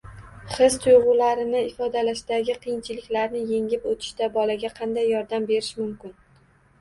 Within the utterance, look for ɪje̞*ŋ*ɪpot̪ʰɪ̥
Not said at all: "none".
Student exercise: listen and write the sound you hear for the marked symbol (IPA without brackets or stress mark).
ŋ